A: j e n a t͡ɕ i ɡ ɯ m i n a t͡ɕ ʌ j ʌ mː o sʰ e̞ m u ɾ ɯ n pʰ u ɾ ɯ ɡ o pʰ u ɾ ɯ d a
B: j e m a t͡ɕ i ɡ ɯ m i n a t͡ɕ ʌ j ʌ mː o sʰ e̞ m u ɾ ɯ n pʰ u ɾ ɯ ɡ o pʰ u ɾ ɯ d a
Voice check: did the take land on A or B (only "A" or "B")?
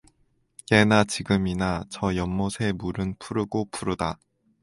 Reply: A